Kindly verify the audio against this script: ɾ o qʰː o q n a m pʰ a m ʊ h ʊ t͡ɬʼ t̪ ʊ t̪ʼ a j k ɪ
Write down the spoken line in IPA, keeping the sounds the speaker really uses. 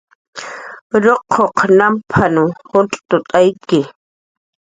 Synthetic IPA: ɾ o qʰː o q n a m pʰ a n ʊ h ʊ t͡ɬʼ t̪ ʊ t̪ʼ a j k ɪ